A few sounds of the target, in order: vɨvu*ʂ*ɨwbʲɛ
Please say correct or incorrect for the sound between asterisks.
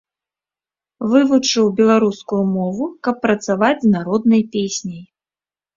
incorrect